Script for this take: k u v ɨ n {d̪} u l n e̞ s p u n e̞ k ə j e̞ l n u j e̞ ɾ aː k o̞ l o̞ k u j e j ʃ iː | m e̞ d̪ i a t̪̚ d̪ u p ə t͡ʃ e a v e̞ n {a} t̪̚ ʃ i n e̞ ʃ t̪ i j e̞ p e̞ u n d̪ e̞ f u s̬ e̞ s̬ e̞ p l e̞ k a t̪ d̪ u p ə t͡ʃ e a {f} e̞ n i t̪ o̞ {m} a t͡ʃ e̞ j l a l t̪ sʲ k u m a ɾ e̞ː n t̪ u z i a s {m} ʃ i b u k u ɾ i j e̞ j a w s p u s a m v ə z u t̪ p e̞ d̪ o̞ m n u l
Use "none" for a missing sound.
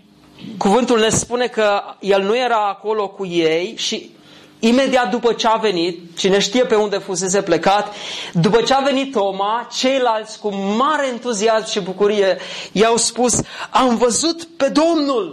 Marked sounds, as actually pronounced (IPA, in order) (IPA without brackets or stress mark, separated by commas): t̪, i, v, m, m